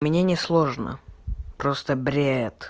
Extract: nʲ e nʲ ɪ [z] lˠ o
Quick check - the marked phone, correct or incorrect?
incorrect